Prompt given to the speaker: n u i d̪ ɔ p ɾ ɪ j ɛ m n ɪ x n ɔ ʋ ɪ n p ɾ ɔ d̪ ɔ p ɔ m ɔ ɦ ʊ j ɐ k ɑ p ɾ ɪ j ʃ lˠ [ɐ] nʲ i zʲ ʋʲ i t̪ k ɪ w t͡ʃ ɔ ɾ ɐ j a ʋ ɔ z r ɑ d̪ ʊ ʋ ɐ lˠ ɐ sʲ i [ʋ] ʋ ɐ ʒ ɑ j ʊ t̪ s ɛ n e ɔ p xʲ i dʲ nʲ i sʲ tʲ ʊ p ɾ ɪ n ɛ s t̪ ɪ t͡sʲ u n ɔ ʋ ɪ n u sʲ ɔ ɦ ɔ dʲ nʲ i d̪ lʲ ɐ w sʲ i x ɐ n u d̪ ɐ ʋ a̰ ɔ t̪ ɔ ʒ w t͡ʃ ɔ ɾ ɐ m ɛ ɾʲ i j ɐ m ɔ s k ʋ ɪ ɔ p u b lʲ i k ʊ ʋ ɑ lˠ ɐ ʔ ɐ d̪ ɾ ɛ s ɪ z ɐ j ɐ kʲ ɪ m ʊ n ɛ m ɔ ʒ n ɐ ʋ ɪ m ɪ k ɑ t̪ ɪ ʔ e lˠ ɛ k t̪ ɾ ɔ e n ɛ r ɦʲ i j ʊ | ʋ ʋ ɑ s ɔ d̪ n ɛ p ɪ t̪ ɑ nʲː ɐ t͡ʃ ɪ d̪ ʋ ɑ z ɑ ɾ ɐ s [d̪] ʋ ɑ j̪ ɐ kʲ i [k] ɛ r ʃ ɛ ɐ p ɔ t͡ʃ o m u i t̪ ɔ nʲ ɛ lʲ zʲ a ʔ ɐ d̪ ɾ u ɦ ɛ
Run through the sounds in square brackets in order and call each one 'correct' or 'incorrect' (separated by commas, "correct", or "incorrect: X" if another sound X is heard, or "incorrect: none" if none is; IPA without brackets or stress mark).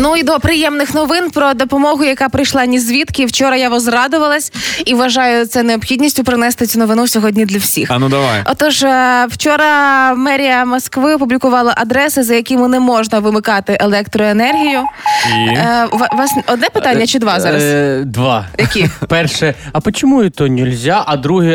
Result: incorrect: ɑ, correct, correct, incorrect: p